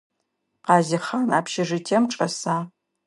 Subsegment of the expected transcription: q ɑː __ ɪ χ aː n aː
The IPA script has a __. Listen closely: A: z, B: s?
A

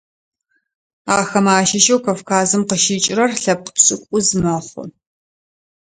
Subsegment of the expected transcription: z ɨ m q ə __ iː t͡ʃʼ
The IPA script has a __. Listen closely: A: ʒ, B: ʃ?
B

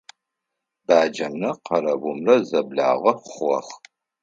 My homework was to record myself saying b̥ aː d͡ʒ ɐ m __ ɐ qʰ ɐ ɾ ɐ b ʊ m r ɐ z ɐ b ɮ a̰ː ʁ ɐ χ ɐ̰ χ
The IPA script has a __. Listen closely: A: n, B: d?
A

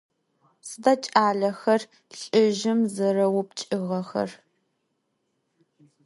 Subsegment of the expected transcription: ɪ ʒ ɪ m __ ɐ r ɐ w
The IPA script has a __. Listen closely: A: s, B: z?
B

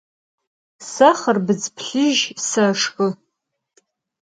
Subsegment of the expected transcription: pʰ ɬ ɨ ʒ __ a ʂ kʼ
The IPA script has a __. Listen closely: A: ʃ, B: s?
B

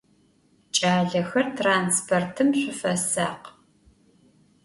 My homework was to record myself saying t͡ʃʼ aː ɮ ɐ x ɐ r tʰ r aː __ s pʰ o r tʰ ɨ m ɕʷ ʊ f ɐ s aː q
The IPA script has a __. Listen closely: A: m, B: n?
B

